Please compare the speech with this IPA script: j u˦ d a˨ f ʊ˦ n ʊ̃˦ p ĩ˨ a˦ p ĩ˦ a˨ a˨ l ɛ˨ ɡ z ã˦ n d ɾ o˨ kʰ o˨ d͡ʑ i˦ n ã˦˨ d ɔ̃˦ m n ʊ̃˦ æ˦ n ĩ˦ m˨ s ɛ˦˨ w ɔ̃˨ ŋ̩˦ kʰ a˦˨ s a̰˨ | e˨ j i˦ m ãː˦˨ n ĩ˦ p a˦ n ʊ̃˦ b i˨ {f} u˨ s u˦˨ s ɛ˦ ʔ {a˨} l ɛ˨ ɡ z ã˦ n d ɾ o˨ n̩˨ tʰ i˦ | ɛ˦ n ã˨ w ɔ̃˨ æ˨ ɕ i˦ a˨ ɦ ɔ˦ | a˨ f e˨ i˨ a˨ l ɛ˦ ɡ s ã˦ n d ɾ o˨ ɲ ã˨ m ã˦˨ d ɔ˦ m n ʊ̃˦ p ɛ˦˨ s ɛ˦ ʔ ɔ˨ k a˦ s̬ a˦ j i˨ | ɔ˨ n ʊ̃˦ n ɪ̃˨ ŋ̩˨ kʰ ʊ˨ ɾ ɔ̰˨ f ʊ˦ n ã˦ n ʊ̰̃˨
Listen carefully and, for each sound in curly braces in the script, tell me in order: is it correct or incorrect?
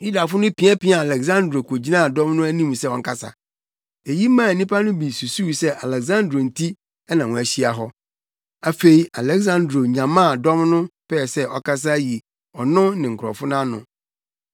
incorrect: s, correct

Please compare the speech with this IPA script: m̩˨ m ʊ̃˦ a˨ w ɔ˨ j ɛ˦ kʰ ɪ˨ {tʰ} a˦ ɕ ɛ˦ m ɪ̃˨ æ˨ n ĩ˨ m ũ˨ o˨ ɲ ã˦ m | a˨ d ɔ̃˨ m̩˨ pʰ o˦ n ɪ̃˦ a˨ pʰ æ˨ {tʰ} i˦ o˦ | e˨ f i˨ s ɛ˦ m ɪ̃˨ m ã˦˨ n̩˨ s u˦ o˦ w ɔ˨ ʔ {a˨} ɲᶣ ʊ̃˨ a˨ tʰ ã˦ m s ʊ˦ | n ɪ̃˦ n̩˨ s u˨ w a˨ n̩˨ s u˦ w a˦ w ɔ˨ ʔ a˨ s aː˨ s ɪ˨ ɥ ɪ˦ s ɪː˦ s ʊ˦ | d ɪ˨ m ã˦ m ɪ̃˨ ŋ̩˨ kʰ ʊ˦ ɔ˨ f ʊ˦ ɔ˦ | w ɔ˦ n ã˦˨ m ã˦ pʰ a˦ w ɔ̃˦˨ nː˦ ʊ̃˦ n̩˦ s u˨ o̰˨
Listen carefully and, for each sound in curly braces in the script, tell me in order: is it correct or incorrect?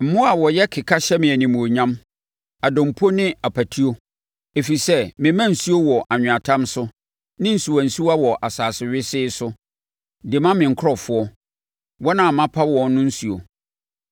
incorrect: kʰ, correct, correct

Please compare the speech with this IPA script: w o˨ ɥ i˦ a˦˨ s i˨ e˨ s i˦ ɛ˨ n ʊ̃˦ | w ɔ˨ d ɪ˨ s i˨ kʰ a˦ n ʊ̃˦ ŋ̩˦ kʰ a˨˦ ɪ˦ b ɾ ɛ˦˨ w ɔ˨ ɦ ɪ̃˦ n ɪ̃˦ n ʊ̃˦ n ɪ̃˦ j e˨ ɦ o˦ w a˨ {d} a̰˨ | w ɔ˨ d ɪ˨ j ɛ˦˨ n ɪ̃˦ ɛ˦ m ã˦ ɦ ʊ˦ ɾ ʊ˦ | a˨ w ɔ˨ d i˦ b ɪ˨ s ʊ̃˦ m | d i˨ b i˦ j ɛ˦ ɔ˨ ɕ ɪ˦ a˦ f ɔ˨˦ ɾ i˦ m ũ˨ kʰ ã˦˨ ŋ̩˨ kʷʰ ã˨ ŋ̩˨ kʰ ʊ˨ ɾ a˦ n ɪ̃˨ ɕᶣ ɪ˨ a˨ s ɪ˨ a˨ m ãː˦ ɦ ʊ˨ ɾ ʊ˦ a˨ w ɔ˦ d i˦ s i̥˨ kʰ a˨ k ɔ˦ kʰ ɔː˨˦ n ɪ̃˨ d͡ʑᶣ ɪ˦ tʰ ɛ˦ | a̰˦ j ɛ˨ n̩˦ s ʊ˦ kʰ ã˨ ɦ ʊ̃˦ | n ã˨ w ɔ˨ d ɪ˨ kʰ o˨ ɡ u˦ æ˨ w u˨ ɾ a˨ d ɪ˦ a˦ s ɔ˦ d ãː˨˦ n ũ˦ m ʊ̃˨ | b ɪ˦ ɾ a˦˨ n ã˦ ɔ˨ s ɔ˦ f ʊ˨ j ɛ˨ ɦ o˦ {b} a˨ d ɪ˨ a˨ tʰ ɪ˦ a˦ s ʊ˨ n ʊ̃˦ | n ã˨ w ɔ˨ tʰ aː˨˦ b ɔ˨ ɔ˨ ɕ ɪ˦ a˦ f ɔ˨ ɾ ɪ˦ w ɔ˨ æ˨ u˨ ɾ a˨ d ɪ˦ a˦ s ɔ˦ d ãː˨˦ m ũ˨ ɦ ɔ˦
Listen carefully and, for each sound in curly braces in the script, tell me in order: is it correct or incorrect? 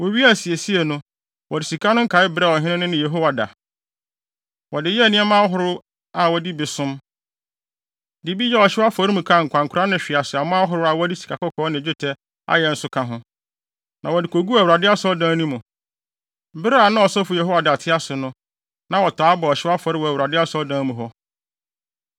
correct, incorrect: w

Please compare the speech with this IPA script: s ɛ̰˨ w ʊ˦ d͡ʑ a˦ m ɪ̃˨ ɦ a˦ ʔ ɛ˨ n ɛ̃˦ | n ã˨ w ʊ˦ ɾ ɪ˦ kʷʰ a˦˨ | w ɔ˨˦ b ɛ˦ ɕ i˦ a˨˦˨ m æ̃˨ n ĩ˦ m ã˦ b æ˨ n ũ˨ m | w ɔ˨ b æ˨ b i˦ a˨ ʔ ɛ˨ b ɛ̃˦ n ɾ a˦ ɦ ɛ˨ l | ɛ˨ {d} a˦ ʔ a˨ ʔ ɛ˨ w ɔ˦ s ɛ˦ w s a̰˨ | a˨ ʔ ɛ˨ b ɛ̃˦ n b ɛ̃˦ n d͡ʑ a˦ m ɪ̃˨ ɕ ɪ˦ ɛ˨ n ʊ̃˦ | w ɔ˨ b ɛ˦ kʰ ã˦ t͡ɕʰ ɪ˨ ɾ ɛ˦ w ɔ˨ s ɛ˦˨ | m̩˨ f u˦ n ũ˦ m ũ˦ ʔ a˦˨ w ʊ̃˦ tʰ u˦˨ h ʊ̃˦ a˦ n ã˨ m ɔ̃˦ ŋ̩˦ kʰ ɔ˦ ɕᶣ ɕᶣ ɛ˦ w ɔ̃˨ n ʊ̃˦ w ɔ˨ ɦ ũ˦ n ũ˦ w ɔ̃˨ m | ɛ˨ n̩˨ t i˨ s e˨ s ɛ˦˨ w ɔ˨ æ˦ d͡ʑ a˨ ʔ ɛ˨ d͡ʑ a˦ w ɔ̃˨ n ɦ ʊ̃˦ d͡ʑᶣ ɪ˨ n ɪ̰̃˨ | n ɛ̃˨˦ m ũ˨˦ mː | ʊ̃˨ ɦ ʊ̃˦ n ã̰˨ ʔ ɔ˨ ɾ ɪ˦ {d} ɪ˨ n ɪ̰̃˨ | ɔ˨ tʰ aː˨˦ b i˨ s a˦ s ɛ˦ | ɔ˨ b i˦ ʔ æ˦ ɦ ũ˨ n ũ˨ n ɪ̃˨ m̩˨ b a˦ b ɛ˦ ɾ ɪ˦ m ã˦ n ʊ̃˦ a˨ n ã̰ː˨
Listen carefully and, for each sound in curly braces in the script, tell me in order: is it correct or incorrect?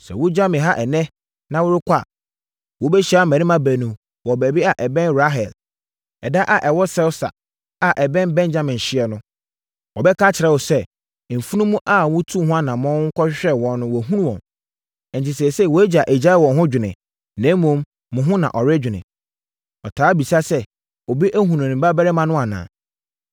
correct, incorrect: d͡ʑᶣ

